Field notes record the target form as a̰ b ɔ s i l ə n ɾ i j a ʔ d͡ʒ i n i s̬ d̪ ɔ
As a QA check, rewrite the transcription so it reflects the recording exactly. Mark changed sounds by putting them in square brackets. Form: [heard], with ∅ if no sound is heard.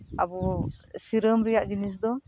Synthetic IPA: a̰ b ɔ s i [ɾ] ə [m] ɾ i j a ʔ d͡ʒ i n i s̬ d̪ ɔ

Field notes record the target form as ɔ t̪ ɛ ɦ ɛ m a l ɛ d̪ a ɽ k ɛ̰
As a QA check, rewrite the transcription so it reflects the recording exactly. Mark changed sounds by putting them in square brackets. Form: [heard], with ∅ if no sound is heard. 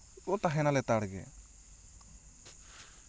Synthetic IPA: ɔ t̪ [a] ɦ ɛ [n] a l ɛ [t̪] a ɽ [ɡ] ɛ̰

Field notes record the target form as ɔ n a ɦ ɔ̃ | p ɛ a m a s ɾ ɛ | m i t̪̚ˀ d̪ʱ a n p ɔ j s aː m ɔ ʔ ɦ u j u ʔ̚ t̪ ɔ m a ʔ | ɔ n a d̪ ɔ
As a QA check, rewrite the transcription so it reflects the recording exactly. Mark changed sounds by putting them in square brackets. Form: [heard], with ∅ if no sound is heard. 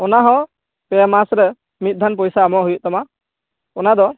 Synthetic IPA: ɔ n a ɦ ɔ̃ | p ɛ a m a s ɾ ɛ | m i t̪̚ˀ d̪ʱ a n p ɔ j s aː m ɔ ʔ ɦ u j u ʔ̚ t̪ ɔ m a [∅] | ɔ n a d̪ ɔ

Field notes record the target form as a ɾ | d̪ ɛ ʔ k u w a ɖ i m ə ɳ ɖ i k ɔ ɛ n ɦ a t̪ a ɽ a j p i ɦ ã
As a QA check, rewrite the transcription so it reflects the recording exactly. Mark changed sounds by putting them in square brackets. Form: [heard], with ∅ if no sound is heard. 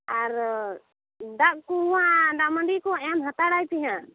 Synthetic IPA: a ɾ | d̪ [a] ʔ k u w a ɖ [a] m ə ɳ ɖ i k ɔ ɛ [m] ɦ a t̪ a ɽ a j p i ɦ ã

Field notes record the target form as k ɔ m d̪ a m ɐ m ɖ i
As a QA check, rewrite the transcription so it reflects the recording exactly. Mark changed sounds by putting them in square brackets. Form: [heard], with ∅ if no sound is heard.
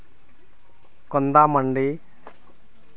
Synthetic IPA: k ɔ [n] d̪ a m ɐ [ɳ] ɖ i

